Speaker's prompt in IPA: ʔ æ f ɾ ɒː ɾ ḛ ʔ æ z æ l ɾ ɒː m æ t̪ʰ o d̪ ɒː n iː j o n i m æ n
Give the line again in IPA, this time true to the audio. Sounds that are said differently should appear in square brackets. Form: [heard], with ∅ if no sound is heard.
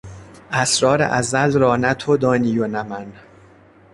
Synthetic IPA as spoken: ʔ æ [s] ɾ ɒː ɾ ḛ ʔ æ z æ l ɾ ɒː [n] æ t̪ʰ o d̪ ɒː n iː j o n [æ] m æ n